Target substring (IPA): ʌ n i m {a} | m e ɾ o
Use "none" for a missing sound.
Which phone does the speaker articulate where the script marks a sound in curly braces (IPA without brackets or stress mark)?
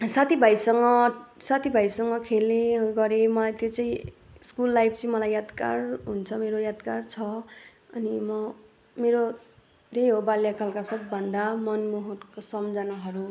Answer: ʌ